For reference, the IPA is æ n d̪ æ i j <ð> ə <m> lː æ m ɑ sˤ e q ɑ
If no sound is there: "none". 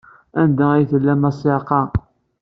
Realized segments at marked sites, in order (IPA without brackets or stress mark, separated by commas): θ, none